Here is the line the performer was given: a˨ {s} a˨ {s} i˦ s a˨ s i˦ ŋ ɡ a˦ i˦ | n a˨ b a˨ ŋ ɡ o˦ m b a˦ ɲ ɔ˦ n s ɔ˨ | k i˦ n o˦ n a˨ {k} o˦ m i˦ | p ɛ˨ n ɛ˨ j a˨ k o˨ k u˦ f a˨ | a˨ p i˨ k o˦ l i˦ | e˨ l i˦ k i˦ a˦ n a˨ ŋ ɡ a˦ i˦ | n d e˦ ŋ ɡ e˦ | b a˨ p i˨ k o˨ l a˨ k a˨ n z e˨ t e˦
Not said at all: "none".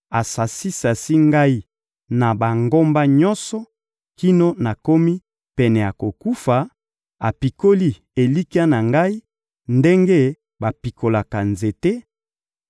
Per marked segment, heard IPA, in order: s, s, k

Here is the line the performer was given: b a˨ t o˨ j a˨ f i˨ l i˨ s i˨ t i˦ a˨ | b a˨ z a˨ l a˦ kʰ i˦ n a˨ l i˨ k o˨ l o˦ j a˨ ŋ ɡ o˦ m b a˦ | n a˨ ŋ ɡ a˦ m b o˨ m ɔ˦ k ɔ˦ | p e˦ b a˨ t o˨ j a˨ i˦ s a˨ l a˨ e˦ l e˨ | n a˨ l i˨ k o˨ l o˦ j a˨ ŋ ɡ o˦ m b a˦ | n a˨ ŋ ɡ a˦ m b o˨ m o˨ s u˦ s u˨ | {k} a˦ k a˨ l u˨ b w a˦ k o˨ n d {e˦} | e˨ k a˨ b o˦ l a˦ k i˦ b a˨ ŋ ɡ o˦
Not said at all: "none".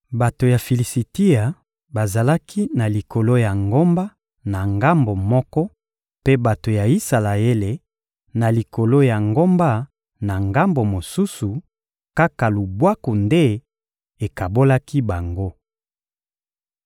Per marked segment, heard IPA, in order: k, e˦

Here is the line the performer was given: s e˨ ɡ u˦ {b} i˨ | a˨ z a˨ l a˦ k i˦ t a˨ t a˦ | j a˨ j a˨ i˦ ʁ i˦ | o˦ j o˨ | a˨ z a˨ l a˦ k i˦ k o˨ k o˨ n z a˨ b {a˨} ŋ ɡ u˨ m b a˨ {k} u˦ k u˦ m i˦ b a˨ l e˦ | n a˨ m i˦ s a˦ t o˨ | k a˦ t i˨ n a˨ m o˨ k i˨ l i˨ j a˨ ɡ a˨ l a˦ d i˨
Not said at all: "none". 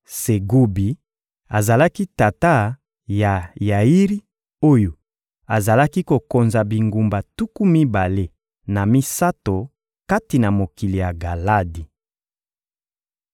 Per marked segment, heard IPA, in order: b, i˨, t

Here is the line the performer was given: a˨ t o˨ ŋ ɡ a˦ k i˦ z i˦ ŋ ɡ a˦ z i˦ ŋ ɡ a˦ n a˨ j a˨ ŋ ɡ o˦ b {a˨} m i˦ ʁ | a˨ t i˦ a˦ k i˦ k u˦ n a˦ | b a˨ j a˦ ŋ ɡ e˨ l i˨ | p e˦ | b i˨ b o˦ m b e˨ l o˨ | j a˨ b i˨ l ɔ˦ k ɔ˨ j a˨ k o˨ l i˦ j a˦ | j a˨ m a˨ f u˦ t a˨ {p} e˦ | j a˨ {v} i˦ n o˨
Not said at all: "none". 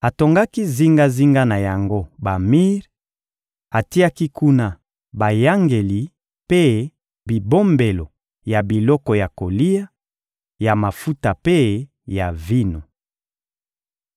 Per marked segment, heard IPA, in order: a˨, p, v

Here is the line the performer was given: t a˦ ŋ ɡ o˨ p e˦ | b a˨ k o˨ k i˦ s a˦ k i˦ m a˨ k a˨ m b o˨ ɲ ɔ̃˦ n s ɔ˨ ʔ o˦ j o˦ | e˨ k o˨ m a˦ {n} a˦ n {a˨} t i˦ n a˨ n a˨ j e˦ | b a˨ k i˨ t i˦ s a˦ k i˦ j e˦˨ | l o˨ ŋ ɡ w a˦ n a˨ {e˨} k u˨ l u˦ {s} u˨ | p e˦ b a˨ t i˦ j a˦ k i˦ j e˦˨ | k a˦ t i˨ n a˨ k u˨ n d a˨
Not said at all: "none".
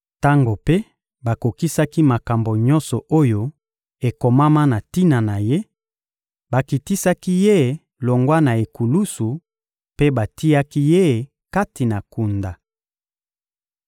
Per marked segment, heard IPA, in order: m, a˨, e˨, s

